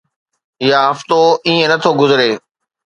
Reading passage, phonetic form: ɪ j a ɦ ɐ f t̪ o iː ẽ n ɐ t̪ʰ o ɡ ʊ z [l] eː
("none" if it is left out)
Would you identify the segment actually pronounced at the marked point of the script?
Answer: ɾ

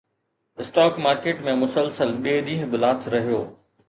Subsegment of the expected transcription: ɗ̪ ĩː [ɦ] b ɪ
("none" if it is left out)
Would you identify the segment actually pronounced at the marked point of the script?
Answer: ɦ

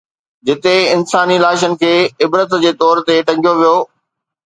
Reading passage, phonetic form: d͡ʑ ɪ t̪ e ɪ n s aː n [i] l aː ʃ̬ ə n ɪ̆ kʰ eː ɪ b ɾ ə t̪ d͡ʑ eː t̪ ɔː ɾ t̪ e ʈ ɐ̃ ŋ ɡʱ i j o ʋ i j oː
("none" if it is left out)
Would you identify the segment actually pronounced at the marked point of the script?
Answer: i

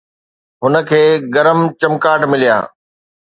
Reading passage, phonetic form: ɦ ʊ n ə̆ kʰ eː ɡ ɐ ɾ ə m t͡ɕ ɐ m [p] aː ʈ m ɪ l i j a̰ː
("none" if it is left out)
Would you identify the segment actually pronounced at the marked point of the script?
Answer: k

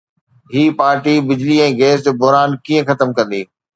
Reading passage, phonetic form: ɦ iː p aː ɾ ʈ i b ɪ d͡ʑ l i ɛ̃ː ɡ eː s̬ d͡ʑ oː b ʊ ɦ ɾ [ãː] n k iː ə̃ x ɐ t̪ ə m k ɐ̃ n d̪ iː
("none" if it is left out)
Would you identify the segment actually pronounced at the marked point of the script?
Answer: aː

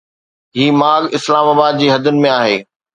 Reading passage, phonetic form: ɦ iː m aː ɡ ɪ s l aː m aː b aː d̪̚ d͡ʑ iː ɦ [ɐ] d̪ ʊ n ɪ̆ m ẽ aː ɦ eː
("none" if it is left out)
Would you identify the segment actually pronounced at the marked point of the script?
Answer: ɐ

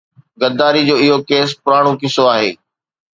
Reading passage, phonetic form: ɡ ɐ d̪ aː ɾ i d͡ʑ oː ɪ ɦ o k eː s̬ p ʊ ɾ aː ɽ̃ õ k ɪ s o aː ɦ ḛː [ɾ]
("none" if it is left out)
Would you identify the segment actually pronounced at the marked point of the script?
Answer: none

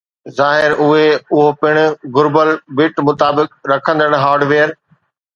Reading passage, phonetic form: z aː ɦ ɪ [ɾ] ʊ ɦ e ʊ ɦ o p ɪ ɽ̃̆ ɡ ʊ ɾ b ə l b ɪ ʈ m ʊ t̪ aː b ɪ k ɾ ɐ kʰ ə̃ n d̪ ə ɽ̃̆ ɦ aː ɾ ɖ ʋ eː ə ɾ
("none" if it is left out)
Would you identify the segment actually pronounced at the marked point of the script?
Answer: ɾ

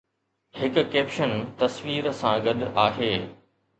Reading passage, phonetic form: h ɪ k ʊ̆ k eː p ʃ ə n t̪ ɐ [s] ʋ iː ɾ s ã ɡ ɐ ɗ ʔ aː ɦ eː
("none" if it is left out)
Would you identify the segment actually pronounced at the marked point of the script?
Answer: s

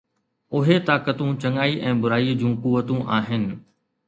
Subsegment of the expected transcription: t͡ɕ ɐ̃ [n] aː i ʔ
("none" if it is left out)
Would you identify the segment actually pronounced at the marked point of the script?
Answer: ŋ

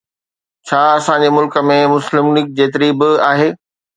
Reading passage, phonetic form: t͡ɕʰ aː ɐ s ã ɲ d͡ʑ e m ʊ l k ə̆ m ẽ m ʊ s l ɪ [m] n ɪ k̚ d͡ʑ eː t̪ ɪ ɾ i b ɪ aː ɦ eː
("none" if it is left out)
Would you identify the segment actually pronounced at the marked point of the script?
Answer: m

